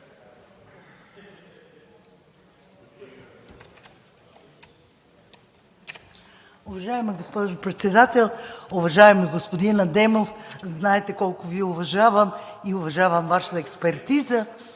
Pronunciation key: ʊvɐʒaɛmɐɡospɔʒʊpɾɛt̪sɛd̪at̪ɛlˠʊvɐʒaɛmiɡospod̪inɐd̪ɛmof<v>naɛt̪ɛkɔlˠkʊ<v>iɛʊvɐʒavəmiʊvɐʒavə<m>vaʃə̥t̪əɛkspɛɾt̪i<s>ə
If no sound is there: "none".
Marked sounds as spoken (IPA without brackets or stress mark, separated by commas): z, v, m, z